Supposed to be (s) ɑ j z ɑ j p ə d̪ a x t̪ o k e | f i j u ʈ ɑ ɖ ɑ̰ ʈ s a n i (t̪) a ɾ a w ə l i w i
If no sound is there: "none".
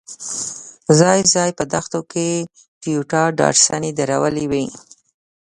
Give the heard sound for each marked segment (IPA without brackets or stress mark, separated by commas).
z, d̪